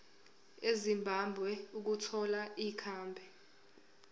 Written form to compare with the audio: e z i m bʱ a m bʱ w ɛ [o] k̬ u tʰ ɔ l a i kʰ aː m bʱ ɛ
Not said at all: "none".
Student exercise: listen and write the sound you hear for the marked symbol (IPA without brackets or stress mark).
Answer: u